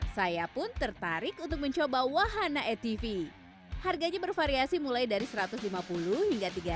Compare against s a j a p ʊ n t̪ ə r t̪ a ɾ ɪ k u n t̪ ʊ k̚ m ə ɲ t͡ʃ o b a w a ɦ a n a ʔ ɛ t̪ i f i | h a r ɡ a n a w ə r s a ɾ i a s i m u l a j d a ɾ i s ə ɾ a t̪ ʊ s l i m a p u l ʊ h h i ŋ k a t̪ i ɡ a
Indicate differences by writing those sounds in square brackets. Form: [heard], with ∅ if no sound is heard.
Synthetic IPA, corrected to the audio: s a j a p ʊ n t̪ ə r t̪ a ɾ ɪ k u n t̪ ʊ k̚ m ə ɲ t͡ʃ o b a w a ɦ a n a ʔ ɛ t̪ i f i | h a r ɡ a [ɲ] a [b] ə r [f] a ɾ i a s i m u l a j d a ɾ i s ə ɾ a t̪ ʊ s l i m a p u l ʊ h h i ŋ [ɡ] a t̪ i ɡ a